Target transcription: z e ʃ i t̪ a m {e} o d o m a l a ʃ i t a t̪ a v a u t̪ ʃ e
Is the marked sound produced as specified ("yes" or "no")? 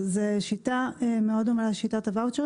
yes